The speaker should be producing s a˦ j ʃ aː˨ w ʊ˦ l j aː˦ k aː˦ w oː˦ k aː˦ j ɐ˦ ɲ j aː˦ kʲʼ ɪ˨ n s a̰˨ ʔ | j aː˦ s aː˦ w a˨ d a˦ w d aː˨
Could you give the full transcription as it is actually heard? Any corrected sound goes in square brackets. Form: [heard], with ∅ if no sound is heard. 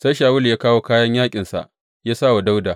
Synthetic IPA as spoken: s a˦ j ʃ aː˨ w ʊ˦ l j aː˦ k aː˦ w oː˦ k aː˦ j ɐ˦ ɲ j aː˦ kʲʼ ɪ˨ n s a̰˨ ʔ | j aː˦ s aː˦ w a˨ d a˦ w d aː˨